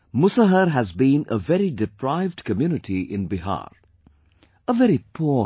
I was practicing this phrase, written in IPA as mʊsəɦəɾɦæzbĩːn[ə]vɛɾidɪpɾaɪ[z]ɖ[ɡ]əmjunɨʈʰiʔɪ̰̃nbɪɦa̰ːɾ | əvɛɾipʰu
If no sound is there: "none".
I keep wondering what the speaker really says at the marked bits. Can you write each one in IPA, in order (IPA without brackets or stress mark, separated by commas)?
ə, v, k